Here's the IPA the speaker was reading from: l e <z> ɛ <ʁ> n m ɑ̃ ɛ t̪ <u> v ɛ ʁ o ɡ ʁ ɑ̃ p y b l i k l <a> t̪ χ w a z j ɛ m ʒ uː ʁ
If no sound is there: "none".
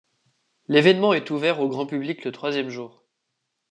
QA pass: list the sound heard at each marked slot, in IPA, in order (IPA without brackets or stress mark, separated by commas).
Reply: v, none, u, ə